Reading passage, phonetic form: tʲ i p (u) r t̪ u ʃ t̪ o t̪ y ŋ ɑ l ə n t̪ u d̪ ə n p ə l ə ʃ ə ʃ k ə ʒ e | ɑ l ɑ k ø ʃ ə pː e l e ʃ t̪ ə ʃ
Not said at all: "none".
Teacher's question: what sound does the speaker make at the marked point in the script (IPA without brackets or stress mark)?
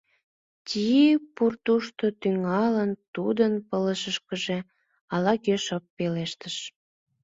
u